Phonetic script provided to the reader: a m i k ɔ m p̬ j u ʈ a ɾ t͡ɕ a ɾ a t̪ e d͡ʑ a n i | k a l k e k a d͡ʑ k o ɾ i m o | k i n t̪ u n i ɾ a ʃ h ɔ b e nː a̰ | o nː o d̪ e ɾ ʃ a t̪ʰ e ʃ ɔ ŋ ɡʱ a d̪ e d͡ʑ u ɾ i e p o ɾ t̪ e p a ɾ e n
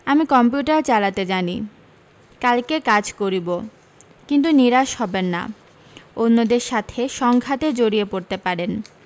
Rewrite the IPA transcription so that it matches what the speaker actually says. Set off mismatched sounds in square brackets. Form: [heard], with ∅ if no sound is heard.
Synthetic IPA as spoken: a m i k ɔ m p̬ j u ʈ a ɾ t͡ɕ a [l] a t̪ e d͡ʑ a n i | k a l k e k a d͡ʑ k o ɾ i [b] o | k i n t̪ u n i ɾ a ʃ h ɔ b e nː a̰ | o nː o d̪ e ɾ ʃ a t̪ʰ e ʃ ɔ ŋ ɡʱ a [t̪] e d͡ʑ [o] ɾ i e p o ɾ t̪ e p a ɾ e n